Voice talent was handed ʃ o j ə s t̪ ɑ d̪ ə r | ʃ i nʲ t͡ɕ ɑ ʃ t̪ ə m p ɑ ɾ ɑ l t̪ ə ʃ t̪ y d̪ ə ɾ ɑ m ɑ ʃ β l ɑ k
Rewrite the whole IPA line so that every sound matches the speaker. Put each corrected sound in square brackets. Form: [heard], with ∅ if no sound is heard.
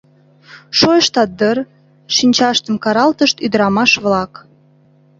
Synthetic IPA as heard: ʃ o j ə [ʃ] t̪ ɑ d̪ ə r | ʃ i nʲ t͡ɕ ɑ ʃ t̪ ə m [k] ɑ ɾ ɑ l t̪ ə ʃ t̪ y d̪ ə ɾ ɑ m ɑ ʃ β l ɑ k